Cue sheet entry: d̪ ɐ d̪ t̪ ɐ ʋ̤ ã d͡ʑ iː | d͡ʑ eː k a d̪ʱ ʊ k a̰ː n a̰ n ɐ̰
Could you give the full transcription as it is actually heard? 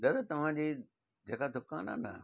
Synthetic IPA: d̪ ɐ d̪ t̪ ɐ ʋ̤ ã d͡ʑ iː | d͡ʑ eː k a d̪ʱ ʊ k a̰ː n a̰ n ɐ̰